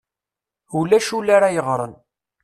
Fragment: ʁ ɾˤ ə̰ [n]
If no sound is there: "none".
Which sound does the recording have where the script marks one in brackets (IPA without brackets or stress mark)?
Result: n